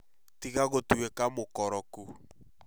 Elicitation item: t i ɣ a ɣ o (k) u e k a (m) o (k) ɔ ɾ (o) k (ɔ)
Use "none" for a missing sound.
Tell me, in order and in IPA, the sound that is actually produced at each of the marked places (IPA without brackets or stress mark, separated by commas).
t, m, k, ɔ, u